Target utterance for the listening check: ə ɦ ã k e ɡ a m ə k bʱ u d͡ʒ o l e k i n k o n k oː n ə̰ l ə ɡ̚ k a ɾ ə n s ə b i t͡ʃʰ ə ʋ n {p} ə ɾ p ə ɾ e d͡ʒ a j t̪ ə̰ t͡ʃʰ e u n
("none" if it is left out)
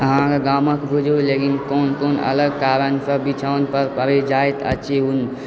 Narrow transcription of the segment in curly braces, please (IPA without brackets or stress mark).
p